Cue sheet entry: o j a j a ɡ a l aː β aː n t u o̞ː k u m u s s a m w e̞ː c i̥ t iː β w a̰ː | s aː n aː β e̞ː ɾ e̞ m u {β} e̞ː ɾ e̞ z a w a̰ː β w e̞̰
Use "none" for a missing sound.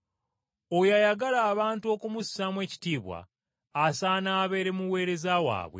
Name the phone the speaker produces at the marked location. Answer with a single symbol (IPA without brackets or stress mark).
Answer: w